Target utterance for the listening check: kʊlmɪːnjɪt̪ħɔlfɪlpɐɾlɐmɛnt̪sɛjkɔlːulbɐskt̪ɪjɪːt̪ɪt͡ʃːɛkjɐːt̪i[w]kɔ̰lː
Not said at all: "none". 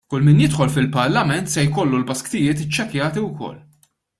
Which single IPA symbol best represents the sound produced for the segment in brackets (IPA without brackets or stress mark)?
w